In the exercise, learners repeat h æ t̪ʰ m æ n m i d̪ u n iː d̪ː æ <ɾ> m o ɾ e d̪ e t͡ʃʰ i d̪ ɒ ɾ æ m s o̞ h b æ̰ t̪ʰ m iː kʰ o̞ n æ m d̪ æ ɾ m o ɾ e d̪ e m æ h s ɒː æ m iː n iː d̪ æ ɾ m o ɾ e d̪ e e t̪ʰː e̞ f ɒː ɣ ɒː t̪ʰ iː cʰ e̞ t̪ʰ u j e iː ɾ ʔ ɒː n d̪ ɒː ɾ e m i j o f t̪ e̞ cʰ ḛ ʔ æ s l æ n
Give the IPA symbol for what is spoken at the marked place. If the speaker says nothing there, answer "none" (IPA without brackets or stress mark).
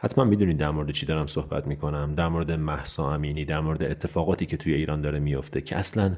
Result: ɾ